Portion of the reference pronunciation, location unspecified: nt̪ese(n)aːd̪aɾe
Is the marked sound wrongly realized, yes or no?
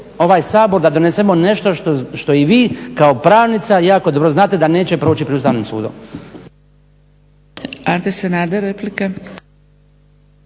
no